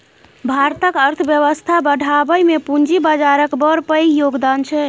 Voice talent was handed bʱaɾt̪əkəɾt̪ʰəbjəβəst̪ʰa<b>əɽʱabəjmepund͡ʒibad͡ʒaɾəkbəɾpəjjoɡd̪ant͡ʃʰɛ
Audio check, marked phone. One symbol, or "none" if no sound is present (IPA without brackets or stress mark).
b